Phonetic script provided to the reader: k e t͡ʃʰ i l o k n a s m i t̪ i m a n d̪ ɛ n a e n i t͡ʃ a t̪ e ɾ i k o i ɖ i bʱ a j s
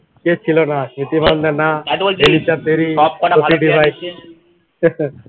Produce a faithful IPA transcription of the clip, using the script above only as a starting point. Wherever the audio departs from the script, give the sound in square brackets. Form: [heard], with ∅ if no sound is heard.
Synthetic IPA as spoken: k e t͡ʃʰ i l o [∅] n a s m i t̪ i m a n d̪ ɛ n a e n i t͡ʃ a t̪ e ɾ i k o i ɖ i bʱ a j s